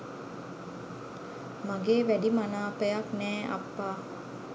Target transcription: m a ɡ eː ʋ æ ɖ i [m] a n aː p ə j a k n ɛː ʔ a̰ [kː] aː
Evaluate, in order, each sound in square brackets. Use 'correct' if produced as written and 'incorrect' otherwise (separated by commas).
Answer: correct, incorrect